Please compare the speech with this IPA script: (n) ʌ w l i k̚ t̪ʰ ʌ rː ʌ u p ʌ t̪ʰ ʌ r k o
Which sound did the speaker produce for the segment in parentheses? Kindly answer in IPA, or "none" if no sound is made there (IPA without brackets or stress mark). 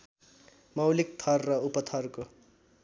m